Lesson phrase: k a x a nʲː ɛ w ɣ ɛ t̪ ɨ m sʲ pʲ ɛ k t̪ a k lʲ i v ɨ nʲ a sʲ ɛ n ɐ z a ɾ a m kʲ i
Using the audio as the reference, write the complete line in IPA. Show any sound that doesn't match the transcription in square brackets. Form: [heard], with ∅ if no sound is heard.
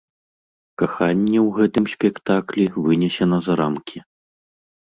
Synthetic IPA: k a x a nʲː ɛ w ɣ ɛ t̪ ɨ m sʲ pʲ ɛ k t̪ a k lʲ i v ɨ nʲ [ɛ] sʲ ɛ n ɐ z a ɾ a m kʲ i